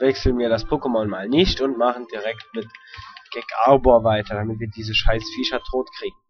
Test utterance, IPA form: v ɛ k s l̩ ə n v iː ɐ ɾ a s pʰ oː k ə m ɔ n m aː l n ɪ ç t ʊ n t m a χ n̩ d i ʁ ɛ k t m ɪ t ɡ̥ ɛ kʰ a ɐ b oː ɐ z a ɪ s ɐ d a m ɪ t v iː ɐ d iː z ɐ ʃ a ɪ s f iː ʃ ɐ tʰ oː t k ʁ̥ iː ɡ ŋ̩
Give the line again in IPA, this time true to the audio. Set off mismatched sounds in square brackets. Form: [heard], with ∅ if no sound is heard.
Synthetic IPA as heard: v ɛ k s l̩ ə n v iː ɐ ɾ a s pʰ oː k ə m ɔ n m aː l n ɪ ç t ʊ n t m a χ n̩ d i ʁ ɛ k t m ɪ t ɡ̥ ɛ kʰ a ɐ b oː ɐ [v] a ɪ [t] ɐ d a m ɪ t v iː ɐ d iː z [ə] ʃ a ɪ s f iː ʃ ɐ tʰ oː t k ʁ̥ iː ɡ ŋ̩